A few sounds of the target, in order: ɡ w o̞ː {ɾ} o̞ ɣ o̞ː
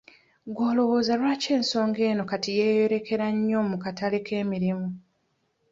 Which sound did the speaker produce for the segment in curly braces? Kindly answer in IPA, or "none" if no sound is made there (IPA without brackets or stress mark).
l